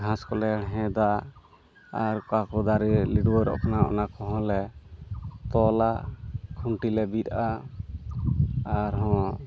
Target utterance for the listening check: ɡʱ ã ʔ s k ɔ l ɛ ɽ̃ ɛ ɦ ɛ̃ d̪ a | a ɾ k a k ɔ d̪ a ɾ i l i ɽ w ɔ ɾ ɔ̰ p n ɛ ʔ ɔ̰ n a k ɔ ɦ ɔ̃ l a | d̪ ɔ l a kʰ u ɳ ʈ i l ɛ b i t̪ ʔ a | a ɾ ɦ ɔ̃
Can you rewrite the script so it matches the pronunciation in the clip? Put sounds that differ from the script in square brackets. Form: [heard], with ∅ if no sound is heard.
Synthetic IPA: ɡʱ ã [∅] s k ɔ l ɛ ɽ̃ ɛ ɦ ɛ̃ d̪ a | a ɾ k a k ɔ d̪ a ɾ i l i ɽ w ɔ ɾ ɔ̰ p n [a] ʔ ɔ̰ n a k ɔ ɦ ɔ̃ l [ɛ] | [t̪] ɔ l a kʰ u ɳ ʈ i l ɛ b i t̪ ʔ a | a ɾ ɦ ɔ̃